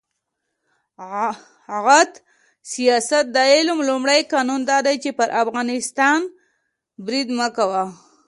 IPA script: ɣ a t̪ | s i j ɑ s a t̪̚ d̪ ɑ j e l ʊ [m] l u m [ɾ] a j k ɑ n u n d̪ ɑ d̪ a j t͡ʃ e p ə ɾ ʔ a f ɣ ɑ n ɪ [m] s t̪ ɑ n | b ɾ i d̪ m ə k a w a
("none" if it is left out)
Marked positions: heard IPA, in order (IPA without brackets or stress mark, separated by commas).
m, ɽ, none